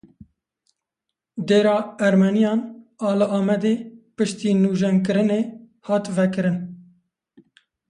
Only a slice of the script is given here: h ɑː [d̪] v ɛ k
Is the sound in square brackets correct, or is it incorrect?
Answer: incorrect